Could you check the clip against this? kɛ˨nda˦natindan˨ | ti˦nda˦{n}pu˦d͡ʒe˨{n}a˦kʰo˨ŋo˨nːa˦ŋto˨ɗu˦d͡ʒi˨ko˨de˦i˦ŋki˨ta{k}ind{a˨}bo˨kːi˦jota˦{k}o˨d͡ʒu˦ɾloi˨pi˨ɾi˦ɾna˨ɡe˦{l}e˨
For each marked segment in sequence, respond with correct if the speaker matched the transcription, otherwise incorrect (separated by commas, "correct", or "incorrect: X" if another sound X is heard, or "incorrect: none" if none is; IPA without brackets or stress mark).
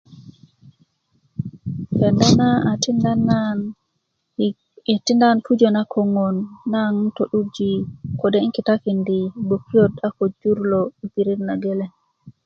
correct, correct, correct, incorrect: i˨, correct, correct